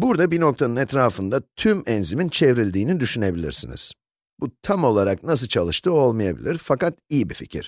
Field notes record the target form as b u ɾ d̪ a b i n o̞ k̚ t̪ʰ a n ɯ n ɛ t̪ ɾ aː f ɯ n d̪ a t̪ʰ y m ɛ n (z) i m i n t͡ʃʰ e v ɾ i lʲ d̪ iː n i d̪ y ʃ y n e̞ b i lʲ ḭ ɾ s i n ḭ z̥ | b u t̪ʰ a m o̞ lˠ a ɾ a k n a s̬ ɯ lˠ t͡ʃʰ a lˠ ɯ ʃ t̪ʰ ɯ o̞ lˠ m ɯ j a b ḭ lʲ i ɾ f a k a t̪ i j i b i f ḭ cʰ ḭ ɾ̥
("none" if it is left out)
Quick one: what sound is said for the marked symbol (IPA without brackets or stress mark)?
z